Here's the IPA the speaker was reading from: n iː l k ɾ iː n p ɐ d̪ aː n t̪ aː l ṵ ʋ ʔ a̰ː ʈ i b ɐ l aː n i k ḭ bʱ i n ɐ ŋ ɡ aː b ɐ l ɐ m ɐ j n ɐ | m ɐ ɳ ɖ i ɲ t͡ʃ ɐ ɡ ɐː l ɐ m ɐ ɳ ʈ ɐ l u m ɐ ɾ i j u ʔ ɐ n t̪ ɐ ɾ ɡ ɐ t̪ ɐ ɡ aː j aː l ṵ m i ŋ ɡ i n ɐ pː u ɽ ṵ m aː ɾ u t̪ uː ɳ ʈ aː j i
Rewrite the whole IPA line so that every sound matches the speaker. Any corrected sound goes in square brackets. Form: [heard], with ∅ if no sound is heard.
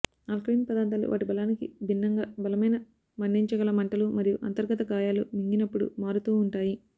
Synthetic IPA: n [aː] l k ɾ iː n p ɐ d̪ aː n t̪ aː l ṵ ʋ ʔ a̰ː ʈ i b ɐ l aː n i k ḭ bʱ i [nː] ɐ ŋ ɡ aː b ɐ l ɐ m ɐ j n ɐ | m ɐ ɳ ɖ i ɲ t͡ʃ ɐ ɡ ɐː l ɐ m ɐ ɳ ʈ ɐ l u m ɐ ɾ i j u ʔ ɐ n t̪ ɐ ɾ ɡ ɐ t̪ ɐ ɡ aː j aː l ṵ m i ŋ ɡ i n ɐ pː u ɽ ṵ m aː ɾ u t̪ uː ɳ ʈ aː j i